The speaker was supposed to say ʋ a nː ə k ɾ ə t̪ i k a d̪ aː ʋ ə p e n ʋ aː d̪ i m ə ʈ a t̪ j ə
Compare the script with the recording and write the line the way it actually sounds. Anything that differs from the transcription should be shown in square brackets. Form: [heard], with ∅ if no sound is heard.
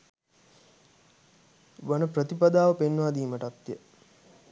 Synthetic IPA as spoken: ʋ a [n] ə [p] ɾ ə t̪ i [p] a d̪ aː ʋ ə p e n ʋ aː d̪ [iː] m ə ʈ a t̪ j ə